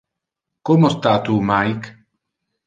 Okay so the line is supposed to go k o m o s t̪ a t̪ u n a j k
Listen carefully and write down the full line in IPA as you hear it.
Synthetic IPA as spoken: k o m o s t̪ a t̪ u m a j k